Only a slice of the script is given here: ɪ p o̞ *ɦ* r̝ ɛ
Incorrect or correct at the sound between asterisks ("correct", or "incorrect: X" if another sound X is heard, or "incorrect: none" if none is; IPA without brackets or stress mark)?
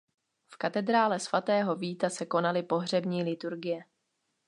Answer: correct